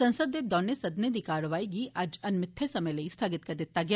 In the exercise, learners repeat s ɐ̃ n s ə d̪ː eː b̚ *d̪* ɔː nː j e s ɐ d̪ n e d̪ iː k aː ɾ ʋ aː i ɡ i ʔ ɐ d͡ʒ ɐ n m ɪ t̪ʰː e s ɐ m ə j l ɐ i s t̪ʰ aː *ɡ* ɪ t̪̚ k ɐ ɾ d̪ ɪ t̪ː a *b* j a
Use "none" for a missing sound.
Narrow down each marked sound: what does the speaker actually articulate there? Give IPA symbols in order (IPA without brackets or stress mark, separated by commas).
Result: d̪, ɡ, ɡ